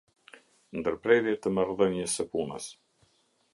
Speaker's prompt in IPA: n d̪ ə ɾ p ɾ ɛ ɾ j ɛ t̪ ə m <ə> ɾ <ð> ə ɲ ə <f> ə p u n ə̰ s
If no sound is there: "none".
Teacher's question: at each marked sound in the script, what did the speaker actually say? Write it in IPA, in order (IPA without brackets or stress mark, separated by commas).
a, ð, s